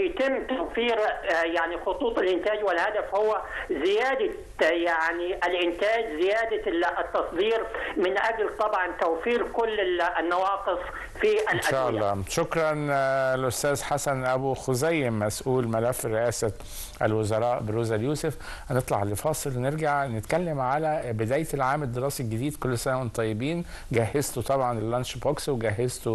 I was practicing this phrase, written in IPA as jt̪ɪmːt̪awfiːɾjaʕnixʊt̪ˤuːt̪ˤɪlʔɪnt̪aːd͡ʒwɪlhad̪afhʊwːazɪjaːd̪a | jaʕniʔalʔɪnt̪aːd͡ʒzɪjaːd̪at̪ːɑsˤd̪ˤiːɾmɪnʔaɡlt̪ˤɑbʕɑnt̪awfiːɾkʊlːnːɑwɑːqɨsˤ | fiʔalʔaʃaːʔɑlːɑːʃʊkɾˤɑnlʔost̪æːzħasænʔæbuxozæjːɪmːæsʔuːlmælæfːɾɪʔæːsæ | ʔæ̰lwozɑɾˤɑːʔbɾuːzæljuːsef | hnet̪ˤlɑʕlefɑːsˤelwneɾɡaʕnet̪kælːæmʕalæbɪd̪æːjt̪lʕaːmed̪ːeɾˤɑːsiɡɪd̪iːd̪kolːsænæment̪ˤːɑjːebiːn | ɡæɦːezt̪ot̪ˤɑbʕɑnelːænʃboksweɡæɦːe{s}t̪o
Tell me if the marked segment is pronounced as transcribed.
no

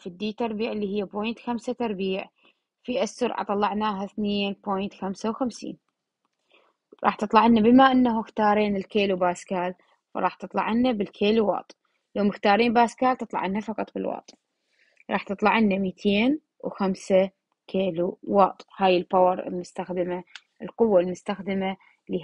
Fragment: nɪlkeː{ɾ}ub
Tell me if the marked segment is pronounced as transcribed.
no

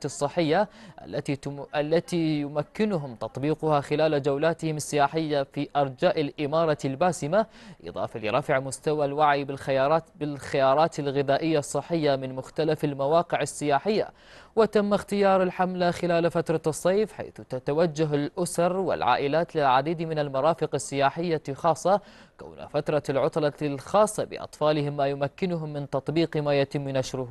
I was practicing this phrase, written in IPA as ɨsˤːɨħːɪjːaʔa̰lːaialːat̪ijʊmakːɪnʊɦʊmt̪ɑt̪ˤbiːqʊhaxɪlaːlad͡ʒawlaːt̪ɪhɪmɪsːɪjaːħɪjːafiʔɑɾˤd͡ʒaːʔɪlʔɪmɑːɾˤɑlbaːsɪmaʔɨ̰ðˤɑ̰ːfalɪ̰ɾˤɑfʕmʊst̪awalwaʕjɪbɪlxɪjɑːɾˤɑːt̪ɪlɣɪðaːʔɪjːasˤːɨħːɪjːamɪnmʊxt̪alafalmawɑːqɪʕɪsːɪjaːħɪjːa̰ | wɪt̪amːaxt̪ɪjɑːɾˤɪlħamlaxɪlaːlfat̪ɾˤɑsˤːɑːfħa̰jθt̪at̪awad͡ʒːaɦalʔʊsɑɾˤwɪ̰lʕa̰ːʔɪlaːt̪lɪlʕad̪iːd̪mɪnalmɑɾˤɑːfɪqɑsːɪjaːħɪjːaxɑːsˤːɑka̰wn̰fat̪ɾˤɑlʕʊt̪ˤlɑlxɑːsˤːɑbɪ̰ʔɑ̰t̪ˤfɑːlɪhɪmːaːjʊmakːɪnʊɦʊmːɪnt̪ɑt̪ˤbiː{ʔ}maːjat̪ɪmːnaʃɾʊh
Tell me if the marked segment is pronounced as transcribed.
no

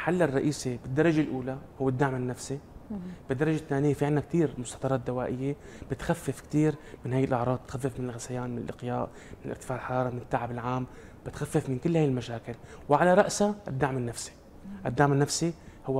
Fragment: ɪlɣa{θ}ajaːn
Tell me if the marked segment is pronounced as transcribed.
no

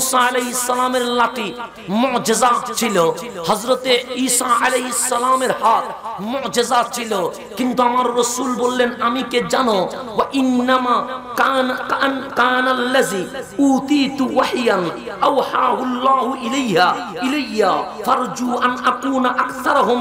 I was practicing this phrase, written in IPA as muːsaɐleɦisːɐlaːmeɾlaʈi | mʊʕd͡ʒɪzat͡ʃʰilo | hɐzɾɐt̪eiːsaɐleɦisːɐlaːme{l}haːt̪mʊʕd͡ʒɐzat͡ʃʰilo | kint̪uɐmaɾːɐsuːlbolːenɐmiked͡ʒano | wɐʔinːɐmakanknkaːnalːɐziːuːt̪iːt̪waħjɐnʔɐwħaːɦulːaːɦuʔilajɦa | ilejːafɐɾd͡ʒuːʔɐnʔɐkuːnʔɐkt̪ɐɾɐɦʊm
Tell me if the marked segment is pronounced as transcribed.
no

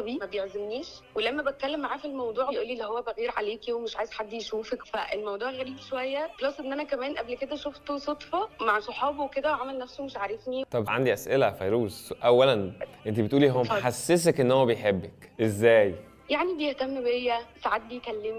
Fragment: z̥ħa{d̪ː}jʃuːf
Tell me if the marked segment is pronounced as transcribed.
yes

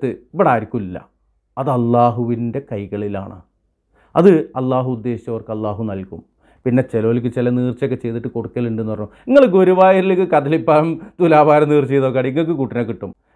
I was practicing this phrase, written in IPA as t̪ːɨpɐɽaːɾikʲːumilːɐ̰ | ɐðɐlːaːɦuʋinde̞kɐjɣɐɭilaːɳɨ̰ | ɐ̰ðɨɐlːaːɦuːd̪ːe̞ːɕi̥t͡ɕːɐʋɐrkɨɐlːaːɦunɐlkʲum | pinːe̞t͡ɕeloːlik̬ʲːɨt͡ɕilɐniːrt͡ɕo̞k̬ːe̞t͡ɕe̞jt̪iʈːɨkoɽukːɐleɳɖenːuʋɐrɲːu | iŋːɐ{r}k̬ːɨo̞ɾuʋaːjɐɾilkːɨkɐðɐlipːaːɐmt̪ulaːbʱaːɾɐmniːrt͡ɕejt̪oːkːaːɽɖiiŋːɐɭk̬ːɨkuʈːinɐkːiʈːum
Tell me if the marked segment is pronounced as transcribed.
no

